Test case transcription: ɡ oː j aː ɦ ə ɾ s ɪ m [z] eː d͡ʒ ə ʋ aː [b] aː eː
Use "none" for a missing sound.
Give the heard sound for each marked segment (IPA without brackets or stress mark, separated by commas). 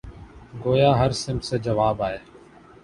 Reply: s, b